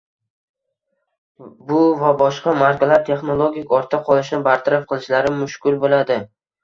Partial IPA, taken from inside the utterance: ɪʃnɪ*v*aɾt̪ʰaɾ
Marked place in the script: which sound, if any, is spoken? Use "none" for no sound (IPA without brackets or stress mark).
b